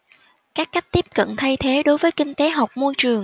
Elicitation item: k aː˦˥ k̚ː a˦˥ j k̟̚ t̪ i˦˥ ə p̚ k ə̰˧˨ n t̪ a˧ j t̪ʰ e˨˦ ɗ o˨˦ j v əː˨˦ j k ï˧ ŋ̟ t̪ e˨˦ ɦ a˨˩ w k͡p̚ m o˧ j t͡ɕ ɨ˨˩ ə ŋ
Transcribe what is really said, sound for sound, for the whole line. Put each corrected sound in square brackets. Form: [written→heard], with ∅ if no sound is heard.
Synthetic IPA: k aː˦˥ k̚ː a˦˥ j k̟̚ t̪ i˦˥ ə p̚ k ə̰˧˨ n [t̪→t̪ʰ] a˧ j t̪ʰ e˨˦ ɗ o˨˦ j v əː˨˦ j k ï˧ ŋ̟ t̪ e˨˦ ɦ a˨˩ w k͡p̚ m o˧ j t͡ɕ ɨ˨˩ ə ŋ